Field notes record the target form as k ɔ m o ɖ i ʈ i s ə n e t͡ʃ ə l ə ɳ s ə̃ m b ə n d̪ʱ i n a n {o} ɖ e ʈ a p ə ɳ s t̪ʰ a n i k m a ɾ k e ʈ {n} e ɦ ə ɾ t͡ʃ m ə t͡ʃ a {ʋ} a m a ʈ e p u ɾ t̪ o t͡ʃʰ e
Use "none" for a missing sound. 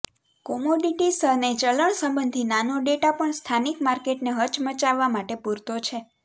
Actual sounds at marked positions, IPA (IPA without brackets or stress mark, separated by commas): o, n, ʋː